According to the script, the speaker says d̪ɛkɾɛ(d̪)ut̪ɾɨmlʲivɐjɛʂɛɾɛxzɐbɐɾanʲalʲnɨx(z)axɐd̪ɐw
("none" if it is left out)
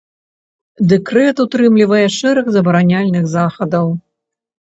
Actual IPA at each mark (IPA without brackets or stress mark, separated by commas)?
t̪, z